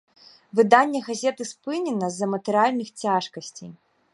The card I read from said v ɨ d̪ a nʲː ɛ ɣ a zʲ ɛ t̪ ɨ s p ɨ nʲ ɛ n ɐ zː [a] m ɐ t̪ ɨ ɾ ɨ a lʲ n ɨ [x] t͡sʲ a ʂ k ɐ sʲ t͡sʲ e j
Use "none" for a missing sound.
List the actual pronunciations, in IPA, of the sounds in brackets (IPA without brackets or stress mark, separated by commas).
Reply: ɐ, x